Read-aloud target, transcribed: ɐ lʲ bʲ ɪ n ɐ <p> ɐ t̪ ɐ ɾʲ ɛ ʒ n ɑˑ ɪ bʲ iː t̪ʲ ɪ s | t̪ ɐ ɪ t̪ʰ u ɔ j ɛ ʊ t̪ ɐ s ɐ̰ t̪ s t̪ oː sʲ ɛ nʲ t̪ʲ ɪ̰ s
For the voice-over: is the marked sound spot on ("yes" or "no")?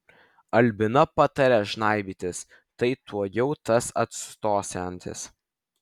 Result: yes